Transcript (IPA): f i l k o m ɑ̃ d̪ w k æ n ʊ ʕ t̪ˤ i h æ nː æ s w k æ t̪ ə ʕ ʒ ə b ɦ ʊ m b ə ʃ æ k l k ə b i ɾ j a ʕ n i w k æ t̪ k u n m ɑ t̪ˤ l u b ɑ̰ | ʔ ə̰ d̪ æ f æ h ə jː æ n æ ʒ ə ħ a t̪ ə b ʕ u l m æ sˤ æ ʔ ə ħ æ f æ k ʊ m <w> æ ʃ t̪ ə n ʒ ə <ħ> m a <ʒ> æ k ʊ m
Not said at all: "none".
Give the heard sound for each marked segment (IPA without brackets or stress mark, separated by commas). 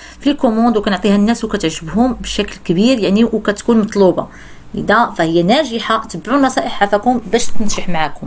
b, ħ, ʕ